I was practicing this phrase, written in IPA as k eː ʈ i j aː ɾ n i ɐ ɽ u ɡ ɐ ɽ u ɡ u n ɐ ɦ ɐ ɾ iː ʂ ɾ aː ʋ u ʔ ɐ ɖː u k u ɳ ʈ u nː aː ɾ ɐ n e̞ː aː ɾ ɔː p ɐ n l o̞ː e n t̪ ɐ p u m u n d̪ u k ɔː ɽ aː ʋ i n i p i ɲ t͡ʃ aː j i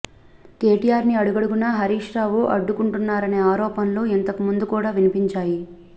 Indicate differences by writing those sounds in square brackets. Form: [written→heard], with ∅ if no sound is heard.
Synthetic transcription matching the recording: k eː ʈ i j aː ɾ n i ɐ ɽ u ɡ ɐ ɽ u ɡ u n ɐ ɦ ɐ ɾ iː ʂ ɾ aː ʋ u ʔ ɐ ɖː u k u ɳ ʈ u nː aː ɾ ɐ n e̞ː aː ɾ ɔː p ɐ n l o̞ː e n t̪ ɐ [p→k] u m u n d̪ u k [ɔː→uː] ɽ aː ʋ i n i p i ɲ t͡ʃ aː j i